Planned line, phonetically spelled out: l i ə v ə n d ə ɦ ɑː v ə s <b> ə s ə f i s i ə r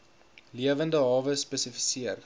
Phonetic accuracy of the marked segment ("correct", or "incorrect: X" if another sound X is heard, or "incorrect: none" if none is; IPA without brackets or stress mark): incorrect: p